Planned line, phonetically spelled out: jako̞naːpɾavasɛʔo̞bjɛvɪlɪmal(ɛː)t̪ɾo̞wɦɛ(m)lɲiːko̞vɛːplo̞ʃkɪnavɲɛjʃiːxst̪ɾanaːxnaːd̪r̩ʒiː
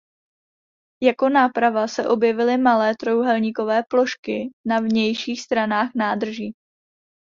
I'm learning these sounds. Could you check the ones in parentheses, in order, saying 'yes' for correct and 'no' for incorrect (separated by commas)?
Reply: yes, no